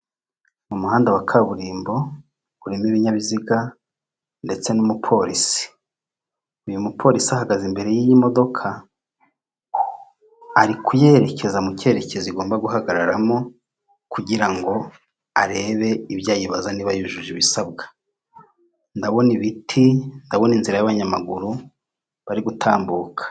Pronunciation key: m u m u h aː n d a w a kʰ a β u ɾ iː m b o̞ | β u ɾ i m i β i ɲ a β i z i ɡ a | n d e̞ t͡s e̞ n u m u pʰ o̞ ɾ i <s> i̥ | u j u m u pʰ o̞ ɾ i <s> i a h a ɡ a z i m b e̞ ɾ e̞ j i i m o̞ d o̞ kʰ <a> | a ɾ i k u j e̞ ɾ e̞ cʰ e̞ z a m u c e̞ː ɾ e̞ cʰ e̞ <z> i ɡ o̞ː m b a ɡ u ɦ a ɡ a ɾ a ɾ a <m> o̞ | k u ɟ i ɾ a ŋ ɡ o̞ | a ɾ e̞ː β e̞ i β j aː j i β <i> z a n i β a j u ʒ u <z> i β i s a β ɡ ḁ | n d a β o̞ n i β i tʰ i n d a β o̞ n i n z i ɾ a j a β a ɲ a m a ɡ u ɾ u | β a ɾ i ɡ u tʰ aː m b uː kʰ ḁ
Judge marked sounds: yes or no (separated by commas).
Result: yes, yes, yes, yes, yes, no, no